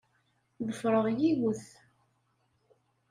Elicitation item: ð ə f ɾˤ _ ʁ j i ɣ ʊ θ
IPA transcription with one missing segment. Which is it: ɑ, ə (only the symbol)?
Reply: ə